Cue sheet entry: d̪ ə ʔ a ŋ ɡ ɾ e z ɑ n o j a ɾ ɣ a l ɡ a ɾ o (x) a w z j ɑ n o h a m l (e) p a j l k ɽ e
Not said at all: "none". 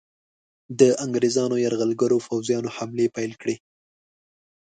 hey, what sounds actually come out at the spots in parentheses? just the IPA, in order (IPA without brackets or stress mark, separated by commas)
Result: f, e